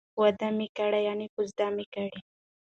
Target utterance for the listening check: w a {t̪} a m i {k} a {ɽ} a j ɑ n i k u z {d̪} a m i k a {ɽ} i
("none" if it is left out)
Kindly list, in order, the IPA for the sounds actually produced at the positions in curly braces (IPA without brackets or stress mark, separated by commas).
d̪, k, ɽ, d̪, ɽ